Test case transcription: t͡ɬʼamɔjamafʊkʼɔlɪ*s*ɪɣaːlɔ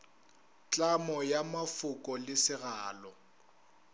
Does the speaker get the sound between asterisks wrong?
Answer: no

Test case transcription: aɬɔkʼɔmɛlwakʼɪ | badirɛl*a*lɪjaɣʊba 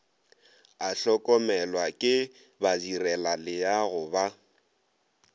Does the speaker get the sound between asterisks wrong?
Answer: no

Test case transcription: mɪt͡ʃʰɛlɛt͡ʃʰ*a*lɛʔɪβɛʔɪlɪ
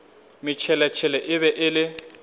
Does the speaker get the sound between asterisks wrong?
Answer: yes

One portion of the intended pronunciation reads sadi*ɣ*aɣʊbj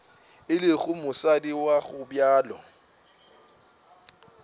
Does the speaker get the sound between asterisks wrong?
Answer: yes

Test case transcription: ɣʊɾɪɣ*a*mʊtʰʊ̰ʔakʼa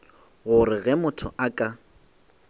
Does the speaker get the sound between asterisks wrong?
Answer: yes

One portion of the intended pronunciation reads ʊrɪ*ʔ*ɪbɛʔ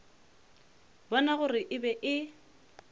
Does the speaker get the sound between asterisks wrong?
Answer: no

